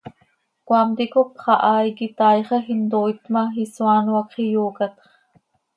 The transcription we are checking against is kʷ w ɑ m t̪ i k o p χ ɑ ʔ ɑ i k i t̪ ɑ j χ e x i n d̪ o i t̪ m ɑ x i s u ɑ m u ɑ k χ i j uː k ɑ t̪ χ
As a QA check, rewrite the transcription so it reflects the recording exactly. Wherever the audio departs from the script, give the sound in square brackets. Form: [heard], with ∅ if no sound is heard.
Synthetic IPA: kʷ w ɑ m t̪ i k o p χ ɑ ʔ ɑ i k i t̪ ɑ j χ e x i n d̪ o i t̪ m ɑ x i s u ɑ [n] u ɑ k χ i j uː k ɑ t̪ χ